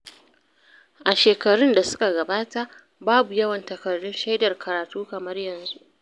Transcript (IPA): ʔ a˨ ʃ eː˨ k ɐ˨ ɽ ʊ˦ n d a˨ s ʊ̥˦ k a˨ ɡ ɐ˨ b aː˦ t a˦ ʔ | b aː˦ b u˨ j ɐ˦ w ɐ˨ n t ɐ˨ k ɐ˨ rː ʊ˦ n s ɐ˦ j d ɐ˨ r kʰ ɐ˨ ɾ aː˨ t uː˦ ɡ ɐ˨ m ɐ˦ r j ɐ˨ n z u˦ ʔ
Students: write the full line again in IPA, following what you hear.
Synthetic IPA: ʔ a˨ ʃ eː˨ k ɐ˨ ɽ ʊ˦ n d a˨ s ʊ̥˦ k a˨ ɡ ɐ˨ b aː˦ t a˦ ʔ | b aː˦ b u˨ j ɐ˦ w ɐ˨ n t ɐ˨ k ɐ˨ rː ʊ˦ n ʃ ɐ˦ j d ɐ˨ r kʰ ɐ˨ ɾ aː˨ t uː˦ k ɐ˨ m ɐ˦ r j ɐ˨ n z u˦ ʔ